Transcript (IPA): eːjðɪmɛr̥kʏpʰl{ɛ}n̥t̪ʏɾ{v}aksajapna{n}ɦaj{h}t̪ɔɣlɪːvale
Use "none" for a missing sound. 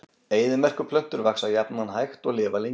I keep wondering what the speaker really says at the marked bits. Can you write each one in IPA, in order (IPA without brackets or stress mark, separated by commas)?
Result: œ, v, n, x